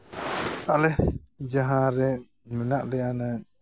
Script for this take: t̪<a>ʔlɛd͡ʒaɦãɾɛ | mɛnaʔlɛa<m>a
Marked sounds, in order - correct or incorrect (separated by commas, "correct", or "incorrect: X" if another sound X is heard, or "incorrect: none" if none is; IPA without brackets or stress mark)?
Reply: correct, incorrect: n